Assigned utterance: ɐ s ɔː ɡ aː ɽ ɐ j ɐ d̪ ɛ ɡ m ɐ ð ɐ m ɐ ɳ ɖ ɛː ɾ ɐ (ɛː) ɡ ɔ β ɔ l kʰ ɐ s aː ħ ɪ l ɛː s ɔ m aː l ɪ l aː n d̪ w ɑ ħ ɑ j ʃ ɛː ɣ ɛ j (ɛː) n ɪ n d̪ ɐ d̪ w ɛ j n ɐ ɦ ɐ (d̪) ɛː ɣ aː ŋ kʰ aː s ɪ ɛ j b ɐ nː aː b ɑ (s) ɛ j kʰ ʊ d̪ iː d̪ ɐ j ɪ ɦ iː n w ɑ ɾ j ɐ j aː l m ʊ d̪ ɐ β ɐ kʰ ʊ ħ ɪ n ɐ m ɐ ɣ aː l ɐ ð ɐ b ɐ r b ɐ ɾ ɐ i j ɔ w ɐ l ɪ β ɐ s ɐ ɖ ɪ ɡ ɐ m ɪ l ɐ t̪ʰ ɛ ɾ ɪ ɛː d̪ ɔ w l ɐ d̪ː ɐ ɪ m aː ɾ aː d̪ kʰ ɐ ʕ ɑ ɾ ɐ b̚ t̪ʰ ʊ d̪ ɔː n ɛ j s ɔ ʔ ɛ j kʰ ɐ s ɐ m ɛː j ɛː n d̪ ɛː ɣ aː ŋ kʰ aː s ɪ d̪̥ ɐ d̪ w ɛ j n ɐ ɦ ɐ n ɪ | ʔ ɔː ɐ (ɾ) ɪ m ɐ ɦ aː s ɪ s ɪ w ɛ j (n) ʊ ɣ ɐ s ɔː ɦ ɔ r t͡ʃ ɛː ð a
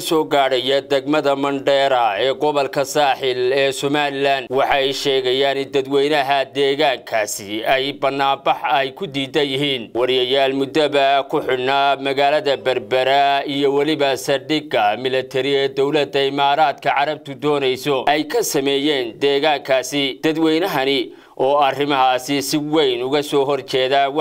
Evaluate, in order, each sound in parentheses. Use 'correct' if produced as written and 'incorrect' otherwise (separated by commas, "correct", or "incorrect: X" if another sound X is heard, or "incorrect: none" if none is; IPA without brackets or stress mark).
correct, incorrect: aː, correct, incorrect: ħ, incorrect: r, correct